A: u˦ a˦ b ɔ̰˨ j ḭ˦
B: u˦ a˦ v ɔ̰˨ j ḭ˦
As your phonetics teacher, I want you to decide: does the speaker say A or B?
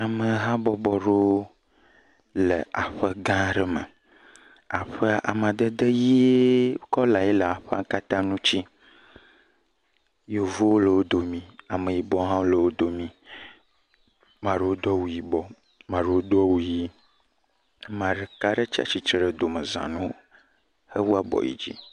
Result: A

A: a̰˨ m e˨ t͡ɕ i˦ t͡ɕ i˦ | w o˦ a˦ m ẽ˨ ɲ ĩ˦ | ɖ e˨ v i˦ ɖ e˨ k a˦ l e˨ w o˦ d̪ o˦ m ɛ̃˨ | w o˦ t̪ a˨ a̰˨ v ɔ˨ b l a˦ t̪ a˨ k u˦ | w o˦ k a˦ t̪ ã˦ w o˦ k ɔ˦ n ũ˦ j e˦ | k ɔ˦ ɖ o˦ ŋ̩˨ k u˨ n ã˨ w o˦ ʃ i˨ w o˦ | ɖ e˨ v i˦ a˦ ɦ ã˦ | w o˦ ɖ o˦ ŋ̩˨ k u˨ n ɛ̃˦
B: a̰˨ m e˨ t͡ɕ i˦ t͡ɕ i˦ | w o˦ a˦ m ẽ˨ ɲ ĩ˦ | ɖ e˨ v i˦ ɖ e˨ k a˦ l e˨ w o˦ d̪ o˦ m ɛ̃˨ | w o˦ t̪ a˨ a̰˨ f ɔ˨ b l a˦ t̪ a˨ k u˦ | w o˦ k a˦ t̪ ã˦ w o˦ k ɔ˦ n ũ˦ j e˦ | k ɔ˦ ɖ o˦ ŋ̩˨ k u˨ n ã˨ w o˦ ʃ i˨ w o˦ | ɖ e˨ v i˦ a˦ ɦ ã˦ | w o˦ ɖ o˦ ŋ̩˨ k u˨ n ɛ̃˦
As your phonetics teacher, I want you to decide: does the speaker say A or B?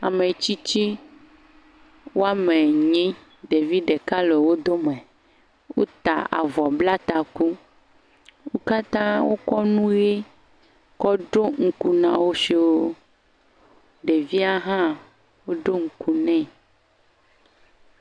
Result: A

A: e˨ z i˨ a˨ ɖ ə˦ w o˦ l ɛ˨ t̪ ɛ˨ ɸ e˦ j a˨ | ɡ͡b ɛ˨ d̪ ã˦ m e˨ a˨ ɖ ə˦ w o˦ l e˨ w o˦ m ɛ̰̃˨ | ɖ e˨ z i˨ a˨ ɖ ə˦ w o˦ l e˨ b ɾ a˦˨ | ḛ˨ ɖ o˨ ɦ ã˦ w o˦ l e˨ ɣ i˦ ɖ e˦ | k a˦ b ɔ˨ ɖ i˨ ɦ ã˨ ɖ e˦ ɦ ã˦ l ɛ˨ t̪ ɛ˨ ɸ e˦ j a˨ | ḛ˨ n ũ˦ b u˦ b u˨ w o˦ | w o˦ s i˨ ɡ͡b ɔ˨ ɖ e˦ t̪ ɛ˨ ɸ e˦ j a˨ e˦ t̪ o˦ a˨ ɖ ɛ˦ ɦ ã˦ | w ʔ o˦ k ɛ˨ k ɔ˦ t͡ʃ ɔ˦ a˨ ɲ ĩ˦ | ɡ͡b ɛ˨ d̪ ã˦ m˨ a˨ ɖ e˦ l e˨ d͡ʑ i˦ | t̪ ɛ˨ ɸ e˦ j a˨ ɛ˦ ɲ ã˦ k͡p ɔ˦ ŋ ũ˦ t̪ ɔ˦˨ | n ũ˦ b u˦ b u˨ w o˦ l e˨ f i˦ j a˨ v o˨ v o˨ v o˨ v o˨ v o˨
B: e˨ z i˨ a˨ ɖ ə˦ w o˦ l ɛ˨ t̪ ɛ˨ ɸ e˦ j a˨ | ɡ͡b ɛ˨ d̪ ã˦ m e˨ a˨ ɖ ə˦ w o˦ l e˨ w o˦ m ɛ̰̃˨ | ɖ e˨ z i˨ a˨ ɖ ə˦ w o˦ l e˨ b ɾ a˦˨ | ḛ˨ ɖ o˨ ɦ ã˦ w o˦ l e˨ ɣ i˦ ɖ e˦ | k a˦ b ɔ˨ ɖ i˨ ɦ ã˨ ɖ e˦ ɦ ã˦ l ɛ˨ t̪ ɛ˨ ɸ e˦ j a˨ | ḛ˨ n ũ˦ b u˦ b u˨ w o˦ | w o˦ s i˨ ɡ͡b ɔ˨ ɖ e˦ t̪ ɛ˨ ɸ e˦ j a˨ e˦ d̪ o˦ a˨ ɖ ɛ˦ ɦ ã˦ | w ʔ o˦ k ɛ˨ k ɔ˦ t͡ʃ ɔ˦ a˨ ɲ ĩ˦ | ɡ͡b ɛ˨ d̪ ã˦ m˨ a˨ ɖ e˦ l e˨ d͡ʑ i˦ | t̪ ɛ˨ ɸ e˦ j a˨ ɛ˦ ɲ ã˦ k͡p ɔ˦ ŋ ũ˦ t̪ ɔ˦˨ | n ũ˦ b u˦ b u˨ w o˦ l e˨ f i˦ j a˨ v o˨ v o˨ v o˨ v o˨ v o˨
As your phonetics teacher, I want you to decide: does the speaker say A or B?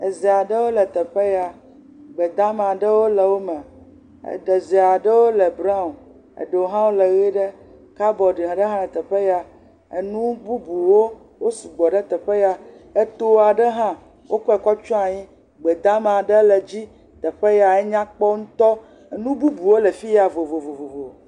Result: A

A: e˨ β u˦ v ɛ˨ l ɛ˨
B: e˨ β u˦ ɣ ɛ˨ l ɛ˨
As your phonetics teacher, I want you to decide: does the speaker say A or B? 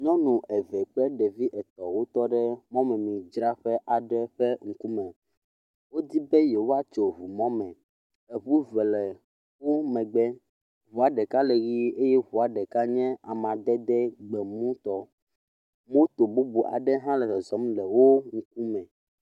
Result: A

